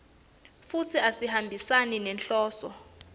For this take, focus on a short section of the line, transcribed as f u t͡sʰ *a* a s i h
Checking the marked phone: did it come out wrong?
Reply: yes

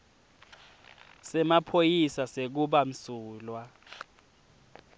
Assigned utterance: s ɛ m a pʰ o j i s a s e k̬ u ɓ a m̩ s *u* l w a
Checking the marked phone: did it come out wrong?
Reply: yes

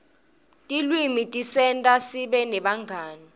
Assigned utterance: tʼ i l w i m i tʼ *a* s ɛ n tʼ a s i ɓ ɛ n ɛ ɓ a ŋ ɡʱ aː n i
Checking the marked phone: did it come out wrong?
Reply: yes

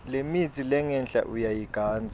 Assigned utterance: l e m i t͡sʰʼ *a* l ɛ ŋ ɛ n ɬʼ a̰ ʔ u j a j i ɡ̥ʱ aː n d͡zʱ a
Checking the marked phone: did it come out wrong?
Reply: yes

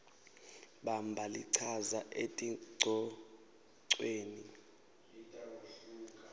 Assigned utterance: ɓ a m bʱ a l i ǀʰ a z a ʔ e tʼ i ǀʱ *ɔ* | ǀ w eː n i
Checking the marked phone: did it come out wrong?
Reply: no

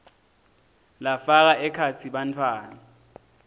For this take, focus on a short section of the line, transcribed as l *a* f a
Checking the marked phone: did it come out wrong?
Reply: no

